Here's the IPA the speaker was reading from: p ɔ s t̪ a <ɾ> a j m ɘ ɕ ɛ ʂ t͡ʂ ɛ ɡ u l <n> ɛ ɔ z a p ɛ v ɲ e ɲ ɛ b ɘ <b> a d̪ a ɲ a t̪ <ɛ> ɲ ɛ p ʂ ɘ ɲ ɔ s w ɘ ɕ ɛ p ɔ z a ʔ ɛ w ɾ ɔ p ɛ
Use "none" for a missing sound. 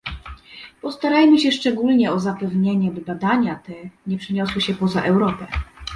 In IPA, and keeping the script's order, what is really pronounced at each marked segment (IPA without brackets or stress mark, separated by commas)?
ɾ, ɲ, b, ɛ